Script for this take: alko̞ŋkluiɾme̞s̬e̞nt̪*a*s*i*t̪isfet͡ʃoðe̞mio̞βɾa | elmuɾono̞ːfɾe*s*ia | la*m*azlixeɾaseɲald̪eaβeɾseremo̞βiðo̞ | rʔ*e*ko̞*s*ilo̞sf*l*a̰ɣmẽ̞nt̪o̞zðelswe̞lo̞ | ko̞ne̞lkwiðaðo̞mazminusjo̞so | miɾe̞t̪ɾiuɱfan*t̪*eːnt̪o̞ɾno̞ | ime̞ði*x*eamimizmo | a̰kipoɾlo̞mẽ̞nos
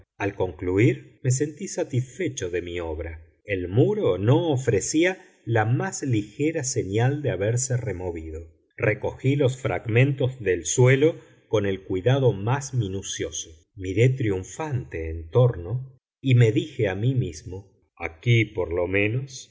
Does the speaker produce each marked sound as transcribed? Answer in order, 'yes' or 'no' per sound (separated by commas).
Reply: no, no, yes, yes, yes, no, no, yes, yes